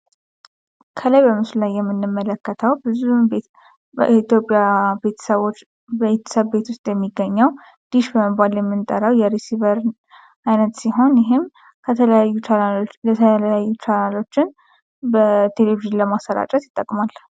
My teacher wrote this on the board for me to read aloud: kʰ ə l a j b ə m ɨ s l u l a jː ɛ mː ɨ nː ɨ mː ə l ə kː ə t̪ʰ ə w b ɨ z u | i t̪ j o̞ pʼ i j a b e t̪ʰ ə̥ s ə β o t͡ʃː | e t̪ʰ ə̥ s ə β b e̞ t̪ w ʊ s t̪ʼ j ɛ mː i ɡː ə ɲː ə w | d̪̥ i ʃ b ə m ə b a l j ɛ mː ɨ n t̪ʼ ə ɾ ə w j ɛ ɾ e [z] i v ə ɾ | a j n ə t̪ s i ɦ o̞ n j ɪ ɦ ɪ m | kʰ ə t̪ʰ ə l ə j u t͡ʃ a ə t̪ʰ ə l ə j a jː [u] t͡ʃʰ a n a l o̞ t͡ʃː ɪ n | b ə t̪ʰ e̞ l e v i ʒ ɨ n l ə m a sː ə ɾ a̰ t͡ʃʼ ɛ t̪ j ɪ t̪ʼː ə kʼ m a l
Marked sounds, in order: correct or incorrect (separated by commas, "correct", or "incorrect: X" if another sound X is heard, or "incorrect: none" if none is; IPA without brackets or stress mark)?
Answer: incorrect: s, correct